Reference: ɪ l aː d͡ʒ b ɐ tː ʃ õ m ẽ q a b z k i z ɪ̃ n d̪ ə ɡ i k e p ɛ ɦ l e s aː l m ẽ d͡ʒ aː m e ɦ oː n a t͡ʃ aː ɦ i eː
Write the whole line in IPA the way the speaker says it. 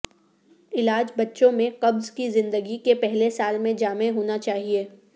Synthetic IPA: ɪ l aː d͡ʒ b ɐ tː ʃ õ m ẽ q ɐ b z k i z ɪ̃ n d̪ ə ɡ i k e p ɛ ɦ l e s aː l m ẽ d͡ʒ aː m e ɦ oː n a t͡ʃ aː ɦ i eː